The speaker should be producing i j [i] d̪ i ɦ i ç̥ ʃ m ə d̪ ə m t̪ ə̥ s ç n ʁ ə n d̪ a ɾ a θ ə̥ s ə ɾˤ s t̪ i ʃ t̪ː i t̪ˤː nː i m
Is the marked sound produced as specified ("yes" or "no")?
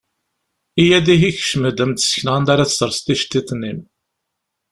no